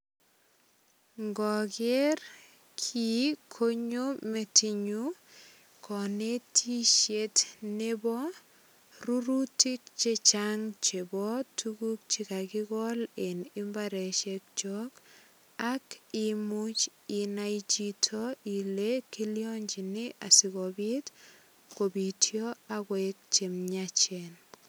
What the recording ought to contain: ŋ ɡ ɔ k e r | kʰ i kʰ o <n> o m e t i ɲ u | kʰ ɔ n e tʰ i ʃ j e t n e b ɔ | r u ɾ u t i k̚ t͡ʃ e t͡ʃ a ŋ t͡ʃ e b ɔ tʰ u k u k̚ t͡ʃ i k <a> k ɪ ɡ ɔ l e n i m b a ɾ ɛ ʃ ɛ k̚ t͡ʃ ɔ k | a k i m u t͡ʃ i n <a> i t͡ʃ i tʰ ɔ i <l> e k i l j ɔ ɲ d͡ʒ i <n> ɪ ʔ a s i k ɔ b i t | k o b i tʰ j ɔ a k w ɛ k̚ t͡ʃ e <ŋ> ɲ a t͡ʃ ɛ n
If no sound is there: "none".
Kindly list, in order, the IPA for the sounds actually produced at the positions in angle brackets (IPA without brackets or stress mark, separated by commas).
ɲ, a, a, l, n, m